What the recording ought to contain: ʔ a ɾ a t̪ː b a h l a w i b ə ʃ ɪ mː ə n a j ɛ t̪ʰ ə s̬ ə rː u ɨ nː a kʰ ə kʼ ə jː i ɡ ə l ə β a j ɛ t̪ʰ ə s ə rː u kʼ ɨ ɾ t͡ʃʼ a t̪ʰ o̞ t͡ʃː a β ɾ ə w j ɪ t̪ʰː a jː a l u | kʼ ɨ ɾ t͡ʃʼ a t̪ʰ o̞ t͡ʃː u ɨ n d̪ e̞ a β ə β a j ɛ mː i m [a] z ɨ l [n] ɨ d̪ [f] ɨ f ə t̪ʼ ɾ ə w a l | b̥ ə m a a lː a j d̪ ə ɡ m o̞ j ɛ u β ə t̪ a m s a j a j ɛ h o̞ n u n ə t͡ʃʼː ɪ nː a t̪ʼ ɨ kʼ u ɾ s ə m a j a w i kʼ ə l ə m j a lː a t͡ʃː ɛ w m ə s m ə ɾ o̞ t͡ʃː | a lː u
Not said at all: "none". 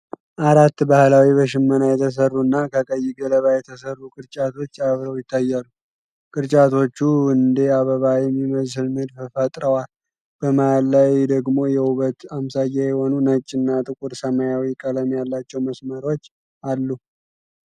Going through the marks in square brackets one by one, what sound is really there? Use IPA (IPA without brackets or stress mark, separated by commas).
ə, m, f